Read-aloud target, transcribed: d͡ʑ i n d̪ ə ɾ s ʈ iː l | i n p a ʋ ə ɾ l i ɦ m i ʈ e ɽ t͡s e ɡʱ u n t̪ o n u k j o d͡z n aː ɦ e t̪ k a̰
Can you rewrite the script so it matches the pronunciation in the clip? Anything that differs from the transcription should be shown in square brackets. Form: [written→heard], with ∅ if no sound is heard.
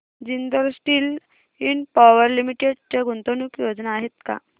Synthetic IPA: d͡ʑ i n d̪ ə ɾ s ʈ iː l | i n p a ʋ ə ɾ l i [ɦ→∅] m i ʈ e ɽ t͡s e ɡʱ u n t̪ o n u k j o d͡z n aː ɦ e t̪ k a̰